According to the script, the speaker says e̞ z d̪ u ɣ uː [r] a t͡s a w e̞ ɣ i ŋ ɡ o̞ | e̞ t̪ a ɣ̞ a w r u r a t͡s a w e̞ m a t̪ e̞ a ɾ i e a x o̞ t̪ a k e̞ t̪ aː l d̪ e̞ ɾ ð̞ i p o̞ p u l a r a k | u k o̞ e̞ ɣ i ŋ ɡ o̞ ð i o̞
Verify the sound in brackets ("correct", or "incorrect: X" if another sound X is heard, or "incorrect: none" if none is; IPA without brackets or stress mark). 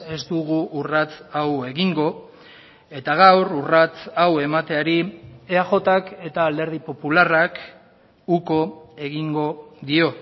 correct